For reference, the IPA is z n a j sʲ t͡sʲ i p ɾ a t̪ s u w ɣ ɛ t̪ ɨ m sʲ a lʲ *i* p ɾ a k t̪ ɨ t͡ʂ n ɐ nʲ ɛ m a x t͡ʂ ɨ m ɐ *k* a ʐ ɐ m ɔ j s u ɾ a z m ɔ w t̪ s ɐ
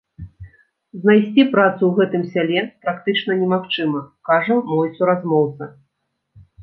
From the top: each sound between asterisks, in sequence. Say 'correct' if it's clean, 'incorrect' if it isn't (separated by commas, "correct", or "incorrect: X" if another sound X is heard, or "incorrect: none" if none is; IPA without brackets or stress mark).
incorrect: ɛ, correct